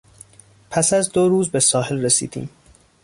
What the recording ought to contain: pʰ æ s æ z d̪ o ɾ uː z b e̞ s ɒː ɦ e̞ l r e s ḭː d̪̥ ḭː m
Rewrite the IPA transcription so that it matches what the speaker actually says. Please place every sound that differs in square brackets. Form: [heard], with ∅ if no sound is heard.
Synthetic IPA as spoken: pʰ æ s æ z d̪ o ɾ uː z b e̞ s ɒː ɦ e̞ l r e s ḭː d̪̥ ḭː m